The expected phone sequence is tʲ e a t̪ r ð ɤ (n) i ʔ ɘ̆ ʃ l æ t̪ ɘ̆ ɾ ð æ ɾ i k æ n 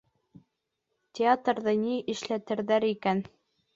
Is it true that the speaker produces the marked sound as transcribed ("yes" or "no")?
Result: yes